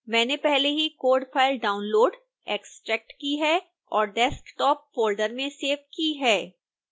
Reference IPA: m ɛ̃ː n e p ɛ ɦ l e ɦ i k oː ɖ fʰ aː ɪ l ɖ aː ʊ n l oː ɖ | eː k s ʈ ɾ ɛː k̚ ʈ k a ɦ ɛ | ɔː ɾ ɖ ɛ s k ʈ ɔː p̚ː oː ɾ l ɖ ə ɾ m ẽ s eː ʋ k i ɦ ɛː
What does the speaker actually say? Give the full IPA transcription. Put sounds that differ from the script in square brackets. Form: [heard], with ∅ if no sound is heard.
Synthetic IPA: m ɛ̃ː n e p ɛ ɦ l e ɦ i k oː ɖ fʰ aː ɪ l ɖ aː ʊ n l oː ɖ | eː k s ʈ ɾ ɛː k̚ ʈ k [i] ɦ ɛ | ɔː ɾ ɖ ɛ s k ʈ ɔː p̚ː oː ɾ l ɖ ə ɾ m ẽ s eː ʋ k i ɦ ɛː